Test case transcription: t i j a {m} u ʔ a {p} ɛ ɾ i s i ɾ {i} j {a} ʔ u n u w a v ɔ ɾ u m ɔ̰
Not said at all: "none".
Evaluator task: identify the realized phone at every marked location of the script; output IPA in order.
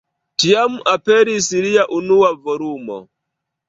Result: m, p, i, a

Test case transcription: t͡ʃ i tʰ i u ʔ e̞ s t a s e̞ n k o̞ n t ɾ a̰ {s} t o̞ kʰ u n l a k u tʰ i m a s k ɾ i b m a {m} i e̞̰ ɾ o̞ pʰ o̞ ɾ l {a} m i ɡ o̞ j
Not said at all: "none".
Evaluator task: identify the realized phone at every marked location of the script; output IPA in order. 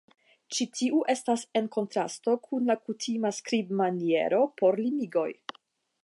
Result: s, n, i

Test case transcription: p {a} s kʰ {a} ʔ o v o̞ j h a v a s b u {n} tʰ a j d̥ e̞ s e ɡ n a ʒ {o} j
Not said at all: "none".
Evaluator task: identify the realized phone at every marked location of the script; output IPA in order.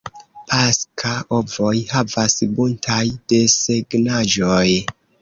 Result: a, a, n, o

